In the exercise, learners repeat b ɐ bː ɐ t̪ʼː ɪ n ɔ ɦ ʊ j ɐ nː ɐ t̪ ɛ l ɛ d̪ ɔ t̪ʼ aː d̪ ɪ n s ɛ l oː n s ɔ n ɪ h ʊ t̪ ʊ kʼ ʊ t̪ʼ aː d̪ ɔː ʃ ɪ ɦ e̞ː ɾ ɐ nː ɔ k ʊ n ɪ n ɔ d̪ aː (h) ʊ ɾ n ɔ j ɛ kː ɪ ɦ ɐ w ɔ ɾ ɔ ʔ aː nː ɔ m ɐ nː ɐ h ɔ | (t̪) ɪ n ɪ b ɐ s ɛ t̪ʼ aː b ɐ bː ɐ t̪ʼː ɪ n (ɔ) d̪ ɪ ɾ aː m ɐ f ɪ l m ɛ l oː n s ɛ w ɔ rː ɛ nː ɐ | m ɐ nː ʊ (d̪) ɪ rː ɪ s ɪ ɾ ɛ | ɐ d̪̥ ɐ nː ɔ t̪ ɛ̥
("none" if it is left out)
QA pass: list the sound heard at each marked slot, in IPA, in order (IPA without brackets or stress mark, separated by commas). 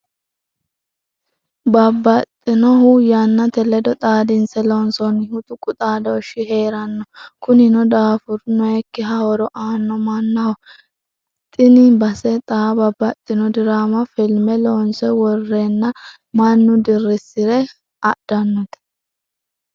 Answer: f, t̪ʼ, ɔ, d̪